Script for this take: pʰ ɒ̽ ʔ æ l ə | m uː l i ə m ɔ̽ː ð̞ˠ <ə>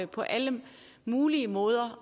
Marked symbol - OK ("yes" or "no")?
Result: no